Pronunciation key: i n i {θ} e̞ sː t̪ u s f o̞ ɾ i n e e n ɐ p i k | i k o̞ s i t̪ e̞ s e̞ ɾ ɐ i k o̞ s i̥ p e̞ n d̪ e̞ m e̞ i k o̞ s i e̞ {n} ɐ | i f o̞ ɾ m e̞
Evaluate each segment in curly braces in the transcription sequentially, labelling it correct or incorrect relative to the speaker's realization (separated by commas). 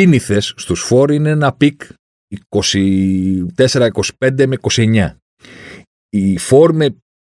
correct, incorrect